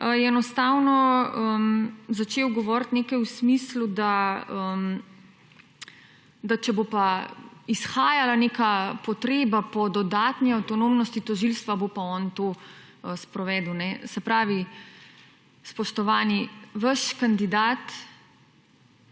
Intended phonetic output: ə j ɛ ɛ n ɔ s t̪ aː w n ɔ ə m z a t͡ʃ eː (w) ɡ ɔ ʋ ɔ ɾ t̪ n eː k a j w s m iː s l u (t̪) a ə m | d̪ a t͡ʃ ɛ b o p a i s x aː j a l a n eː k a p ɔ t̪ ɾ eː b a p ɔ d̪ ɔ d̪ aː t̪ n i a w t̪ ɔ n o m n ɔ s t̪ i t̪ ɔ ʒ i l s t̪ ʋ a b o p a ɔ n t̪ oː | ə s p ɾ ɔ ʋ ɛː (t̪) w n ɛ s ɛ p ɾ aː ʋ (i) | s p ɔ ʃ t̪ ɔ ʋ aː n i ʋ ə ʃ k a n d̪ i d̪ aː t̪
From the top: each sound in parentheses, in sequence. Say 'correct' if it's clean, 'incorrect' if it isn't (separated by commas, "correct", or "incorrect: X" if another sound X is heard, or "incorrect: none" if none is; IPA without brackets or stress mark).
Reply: correct, incorrect: d̪, incorrect: d̪, correct